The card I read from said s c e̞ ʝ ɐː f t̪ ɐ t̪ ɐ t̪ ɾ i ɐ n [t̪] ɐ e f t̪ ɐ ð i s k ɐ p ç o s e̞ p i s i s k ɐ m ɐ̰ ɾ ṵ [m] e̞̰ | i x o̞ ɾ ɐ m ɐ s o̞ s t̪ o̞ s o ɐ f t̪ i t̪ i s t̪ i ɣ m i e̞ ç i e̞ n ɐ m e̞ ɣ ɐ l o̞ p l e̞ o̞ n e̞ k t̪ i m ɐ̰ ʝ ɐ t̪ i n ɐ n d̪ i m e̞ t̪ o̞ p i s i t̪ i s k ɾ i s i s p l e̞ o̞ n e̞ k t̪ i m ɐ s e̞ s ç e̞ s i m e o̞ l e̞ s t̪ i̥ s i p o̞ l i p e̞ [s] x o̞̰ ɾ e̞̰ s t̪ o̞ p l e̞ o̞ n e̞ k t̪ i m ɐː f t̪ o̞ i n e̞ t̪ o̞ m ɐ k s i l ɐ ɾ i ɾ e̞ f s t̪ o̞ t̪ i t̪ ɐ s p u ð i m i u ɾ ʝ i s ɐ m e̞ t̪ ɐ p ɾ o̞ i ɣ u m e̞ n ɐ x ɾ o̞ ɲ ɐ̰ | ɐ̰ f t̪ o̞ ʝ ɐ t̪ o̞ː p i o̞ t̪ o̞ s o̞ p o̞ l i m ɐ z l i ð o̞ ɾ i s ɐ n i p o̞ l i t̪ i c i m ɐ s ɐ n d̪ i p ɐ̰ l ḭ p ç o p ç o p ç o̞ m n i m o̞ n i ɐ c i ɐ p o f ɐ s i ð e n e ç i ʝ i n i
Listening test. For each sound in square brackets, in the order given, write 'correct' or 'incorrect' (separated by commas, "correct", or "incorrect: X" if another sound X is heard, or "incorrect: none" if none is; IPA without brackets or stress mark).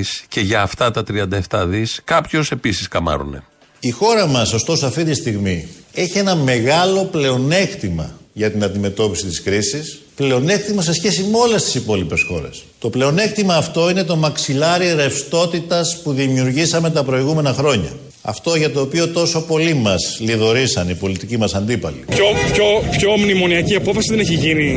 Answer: incorrect: d̪, incorrect: n, correct